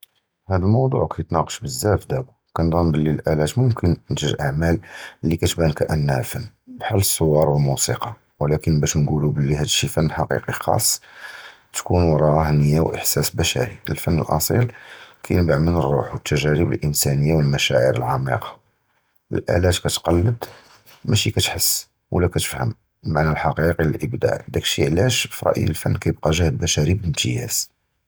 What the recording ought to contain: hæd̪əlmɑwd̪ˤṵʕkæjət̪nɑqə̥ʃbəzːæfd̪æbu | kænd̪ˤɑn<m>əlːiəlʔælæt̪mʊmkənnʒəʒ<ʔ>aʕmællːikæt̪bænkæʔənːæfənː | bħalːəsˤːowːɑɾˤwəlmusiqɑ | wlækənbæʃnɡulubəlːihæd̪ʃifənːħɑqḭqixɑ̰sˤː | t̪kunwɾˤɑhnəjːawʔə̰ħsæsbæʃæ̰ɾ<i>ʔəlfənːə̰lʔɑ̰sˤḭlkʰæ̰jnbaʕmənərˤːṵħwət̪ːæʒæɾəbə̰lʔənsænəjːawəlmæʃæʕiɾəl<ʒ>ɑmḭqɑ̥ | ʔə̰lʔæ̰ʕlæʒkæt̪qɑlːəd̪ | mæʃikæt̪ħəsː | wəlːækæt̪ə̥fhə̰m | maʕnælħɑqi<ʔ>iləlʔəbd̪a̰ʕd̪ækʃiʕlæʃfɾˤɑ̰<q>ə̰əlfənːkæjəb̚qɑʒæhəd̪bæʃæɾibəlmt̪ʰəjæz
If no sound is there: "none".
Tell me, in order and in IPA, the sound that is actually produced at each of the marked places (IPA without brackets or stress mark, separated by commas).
b, ʔ, i, ʕ, q, ʔ